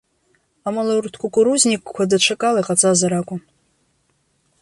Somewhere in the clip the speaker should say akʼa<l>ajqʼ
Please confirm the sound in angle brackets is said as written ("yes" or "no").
yes